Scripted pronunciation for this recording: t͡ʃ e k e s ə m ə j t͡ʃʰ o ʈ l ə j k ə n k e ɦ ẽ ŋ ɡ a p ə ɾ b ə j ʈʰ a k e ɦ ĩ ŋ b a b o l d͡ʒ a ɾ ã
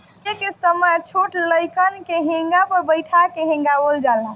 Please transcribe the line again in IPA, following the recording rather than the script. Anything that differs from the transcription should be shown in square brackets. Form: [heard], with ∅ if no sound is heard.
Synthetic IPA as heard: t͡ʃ e k e s ə m ə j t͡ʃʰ o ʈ l ə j k ə n k e ɦ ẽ ŋ ɡ a p ə ɾ b ə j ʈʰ a k e ɦ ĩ ŋ [ɡ] a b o l d͡ʒ a [l] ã